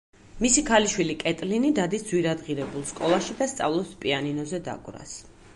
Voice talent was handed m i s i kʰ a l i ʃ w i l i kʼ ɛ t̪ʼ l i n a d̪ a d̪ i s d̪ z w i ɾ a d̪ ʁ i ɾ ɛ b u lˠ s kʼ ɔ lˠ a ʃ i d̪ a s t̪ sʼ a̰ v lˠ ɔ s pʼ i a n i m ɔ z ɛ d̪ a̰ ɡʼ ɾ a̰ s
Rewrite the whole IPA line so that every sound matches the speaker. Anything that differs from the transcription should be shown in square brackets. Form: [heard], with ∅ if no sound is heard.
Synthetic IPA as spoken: m i s i kʰ a l i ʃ w i l i kʼ ɛ t̪ʼ l i n [i] d̪ a d̪ i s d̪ z w i ɾ a d̪ ʁ i ɾ ɛ b u lˠ s kʼ ɔ lˠ a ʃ i d̪ a s t̪ sʼ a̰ v lˠ ɔ s pʼ i a n i [n] ɔ z ɛ d̪ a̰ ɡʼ ɾ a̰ s